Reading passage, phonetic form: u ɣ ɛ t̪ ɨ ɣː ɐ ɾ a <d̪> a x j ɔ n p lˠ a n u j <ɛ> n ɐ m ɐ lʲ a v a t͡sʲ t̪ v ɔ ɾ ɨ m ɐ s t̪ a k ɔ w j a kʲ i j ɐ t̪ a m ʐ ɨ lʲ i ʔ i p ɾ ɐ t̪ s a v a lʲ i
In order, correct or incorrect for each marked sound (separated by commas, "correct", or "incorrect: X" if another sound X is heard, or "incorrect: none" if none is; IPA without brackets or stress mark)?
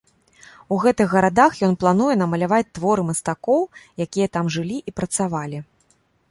correct, correct